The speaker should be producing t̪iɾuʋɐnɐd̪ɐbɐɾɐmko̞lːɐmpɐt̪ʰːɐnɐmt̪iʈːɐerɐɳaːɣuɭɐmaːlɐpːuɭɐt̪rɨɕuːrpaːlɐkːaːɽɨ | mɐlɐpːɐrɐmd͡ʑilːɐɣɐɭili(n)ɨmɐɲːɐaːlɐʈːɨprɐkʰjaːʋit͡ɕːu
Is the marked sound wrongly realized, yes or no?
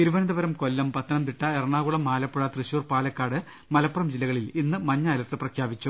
yes